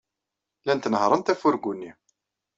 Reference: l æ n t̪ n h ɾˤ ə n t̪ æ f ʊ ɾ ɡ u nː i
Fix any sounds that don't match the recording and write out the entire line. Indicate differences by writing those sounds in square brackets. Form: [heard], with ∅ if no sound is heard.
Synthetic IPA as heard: l æ n t̪ n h ɾˤ ə n t̪ æ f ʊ ɾ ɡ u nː i

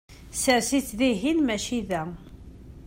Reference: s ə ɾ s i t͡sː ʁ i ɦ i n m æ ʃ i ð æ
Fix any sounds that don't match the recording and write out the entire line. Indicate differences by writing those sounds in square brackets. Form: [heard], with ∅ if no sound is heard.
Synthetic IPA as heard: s ə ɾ s i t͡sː [ð] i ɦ i n m æ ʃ i ð æ

